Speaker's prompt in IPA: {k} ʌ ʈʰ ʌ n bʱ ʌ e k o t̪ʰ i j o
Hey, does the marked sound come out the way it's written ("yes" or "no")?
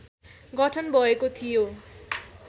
no